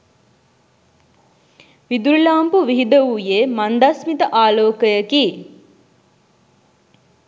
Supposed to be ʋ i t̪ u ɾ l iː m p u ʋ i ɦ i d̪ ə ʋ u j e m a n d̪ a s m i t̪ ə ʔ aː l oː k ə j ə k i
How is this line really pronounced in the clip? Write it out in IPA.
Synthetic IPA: ʋ i d̪ u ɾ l aː m p u ʋ i ɦ i d̪ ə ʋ u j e m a n d̪ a s m i t̪ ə ʔ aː l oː k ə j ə k i